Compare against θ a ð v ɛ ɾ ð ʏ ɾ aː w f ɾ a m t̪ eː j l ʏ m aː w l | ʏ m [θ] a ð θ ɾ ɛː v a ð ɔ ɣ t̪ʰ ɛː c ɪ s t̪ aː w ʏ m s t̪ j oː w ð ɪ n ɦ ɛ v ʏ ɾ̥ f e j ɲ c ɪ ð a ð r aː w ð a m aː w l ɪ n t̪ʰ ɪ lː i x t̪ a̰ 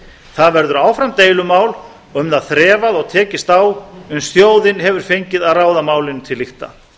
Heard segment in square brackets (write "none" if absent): ð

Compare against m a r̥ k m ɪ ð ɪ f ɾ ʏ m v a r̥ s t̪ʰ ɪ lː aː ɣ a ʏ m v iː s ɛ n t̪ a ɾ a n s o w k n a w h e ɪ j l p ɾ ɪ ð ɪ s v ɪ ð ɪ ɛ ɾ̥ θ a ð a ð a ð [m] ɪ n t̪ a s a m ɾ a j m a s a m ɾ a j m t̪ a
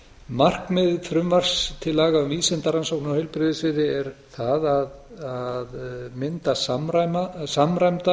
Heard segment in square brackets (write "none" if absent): m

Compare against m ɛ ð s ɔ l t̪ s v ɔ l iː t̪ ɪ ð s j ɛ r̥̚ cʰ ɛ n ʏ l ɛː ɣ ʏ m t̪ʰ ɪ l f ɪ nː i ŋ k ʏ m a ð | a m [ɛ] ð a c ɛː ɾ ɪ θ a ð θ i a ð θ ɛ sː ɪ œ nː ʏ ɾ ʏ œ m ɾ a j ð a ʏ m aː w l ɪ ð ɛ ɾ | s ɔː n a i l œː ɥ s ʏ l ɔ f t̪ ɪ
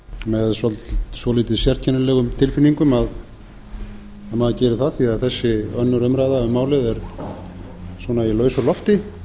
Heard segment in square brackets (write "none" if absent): a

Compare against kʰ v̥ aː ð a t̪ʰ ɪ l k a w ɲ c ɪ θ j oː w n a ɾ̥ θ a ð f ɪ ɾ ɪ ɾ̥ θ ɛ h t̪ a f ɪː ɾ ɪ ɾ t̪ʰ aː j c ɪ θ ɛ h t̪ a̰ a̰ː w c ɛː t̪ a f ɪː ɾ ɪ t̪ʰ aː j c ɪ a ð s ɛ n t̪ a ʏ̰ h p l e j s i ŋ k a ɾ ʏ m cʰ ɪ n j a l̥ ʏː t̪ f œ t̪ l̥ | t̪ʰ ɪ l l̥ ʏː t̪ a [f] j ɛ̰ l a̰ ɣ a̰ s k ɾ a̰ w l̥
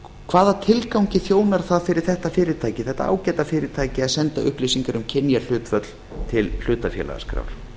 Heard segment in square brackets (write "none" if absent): f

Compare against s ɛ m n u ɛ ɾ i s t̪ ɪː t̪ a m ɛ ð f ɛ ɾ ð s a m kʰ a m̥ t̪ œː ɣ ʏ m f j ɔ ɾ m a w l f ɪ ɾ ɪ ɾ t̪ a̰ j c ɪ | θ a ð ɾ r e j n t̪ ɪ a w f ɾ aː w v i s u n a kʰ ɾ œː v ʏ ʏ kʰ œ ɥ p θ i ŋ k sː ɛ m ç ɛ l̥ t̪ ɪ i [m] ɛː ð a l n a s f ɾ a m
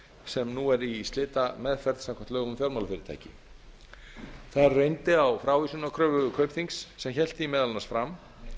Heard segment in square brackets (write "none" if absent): m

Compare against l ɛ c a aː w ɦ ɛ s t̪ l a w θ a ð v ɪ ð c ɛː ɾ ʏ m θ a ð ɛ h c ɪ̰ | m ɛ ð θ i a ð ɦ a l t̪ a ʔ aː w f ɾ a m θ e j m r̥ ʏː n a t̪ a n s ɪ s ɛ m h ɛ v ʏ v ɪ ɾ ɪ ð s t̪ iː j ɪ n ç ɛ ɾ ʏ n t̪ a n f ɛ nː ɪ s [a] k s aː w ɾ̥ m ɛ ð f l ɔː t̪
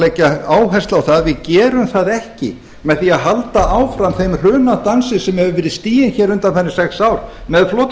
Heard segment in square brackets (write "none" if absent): ɛ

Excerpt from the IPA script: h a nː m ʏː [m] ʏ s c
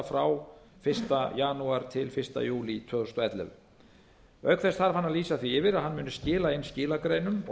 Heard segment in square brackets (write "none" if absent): n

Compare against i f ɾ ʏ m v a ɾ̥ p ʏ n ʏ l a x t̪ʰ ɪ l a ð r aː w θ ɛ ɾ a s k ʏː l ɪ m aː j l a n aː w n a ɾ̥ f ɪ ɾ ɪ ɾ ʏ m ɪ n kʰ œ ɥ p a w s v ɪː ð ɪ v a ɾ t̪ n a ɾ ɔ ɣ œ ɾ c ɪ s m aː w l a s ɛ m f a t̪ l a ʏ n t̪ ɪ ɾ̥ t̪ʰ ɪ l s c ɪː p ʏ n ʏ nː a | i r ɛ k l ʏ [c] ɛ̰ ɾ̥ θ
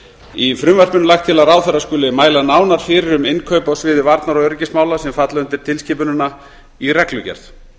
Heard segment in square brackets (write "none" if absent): c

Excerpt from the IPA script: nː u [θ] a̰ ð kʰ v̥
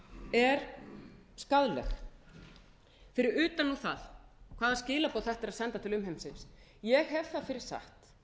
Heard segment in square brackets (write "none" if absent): θ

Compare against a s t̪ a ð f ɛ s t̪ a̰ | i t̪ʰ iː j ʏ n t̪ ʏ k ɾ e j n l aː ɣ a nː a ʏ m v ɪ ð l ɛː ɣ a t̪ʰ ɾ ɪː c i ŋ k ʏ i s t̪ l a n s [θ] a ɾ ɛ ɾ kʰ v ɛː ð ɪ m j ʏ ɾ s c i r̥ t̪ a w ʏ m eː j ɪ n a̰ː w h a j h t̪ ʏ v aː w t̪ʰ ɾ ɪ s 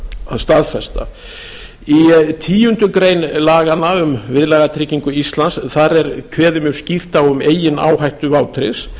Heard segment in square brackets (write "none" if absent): θ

